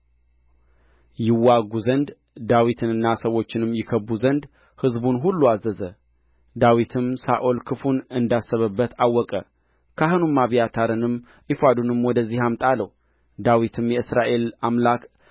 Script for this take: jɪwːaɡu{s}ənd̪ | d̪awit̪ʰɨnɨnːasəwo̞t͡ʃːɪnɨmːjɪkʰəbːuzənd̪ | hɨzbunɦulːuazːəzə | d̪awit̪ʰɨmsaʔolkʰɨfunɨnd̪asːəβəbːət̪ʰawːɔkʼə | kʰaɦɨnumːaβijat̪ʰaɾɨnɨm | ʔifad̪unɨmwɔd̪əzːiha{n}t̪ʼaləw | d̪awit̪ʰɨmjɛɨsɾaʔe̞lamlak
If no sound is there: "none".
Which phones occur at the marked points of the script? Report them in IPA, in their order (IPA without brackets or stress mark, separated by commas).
z, m